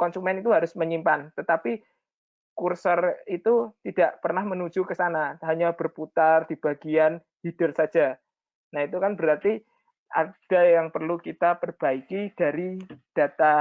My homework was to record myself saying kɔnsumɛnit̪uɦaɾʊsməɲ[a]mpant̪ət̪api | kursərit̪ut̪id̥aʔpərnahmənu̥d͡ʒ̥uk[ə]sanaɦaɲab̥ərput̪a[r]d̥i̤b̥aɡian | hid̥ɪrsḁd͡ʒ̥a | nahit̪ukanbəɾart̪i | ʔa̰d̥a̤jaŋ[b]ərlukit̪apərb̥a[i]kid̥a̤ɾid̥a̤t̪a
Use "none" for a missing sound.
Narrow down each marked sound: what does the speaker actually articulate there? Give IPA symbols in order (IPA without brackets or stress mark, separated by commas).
i, ə, r, p, i